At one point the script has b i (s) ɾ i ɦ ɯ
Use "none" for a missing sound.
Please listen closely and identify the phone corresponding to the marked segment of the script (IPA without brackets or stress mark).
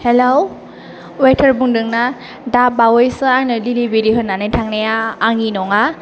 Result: none